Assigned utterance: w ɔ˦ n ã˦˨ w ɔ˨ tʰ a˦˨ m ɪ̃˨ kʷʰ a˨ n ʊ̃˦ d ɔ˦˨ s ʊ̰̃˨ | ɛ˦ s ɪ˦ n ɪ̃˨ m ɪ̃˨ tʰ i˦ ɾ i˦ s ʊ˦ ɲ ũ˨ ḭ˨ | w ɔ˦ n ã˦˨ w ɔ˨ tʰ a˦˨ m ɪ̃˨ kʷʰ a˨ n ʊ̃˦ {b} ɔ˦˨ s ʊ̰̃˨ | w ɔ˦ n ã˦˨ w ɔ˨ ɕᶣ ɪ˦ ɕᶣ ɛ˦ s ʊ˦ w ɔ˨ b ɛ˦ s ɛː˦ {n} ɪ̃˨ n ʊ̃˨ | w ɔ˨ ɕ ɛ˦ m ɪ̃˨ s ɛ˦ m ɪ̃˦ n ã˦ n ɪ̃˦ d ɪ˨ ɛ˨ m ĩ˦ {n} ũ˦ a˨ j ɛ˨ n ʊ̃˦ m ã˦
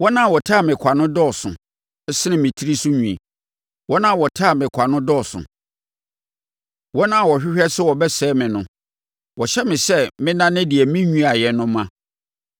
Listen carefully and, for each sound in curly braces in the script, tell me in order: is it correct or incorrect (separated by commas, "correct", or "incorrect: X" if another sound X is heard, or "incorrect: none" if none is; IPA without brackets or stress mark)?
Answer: incorrect: d, incorrect: m, incorrect: ɲ